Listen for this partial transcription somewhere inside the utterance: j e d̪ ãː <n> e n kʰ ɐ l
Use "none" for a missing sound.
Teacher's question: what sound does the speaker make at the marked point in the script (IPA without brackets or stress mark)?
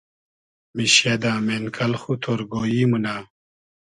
m